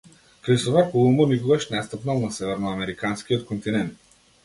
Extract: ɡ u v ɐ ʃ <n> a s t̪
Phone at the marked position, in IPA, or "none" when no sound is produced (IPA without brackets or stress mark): n